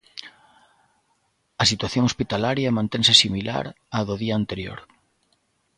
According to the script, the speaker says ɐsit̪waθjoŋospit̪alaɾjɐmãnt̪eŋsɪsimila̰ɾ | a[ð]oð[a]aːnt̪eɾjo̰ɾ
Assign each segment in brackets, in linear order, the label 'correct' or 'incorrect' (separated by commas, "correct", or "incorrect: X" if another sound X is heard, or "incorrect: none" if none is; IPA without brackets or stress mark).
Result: correct, incorrect: i